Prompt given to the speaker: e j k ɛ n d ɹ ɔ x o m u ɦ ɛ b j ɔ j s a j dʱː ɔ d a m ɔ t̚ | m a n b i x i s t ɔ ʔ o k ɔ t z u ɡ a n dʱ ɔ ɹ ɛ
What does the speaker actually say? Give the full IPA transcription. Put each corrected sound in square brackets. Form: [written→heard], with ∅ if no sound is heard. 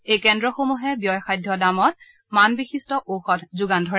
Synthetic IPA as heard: e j k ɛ n d ɹ ɔ x o m u ɦ ɛ b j ɔ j [s→x] a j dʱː ɔ d a m ɔ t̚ | m a n b i x i s t ɔ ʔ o [k→x] ɔ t z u ɡ a n dʱ ɔ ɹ ɛ